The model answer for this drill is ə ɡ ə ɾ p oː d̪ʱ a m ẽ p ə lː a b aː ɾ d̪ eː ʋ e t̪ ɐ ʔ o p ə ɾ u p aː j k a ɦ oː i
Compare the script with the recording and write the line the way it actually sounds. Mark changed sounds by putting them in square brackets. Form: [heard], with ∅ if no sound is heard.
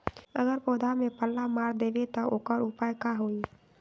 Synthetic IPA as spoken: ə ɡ ə ɾ p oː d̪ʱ a m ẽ p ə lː a [m] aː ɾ d̪ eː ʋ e t̪ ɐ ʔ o [k] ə ɾ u p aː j k a ɦ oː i